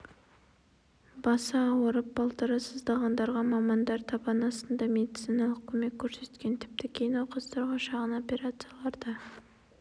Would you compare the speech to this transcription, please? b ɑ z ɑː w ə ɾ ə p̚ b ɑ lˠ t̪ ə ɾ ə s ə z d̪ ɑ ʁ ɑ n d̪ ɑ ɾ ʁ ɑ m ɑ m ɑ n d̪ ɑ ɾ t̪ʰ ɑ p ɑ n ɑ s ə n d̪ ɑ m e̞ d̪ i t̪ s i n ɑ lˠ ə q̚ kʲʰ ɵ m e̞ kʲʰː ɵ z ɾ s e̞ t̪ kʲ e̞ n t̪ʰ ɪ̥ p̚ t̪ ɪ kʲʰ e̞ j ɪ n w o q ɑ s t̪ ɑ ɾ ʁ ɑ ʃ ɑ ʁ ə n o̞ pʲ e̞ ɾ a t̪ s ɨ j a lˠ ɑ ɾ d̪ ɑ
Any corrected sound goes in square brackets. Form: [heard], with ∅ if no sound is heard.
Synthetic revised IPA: b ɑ [s] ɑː w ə ɾ ə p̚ b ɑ lˠ t̪ ə ɾ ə s ə z d̪ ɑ ʁ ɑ n d̪ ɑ ɾ ʁ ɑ m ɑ m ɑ n d̪ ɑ ɾ t̪ʰ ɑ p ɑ n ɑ s ə n d̪ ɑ m e̞ d̪ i t̪ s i n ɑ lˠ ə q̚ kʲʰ ɵ m e̞ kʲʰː ɵ [∅] ɾ s e̞ t̪ kʲ e̞ n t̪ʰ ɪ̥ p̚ t̪ ɪ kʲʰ e̞ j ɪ n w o q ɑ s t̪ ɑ ɾ ʁ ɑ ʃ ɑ ʁ ə n o̞ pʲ e̞ ɾ a t̪ s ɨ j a lˠ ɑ ɾ d̪ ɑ